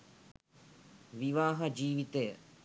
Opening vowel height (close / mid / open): close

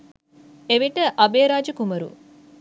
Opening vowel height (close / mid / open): mid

